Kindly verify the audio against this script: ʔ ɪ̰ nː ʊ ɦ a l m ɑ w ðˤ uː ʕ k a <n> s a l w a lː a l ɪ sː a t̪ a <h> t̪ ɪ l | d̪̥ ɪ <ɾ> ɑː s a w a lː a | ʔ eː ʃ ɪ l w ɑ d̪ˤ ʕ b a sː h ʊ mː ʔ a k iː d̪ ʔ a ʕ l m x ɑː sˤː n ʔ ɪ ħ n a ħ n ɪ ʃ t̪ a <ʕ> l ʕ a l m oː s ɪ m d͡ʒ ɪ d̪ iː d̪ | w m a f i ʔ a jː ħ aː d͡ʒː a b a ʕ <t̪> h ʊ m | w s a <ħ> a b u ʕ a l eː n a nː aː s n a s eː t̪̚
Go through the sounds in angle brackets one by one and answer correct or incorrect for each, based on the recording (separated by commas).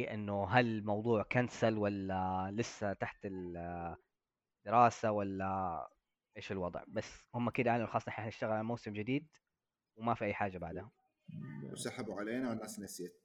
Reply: correct, incorrect, correct, incorrect, incorrect, correct